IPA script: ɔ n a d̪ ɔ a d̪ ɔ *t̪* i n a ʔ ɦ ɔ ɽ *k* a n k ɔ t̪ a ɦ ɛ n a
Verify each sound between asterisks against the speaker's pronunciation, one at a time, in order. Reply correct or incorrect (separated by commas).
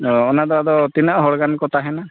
correct, incorrect